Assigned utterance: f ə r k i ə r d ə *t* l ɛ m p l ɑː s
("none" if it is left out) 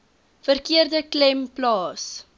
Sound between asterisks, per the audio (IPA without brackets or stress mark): k